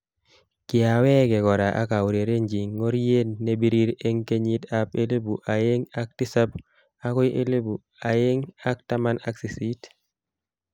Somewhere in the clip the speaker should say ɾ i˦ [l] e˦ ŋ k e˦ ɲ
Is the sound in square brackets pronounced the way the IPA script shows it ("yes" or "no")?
no